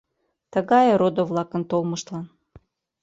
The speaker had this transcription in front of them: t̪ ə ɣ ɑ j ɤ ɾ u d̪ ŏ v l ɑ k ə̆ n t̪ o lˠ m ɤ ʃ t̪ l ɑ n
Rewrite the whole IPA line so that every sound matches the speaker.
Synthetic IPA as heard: t̪ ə ɣ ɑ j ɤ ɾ o d̪ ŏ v l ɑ k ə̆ n t̪ o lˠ m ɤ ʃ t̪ l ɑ n